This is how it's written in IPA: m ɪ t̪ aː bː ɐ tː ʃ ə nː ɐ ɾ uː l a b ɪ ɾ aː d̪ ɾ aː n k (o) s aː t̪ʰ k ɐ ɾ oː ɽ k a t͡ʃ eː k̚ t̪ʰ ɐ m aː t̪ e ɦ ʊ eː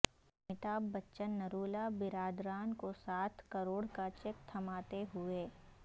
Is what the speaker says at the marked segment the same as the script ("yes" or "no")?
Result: yes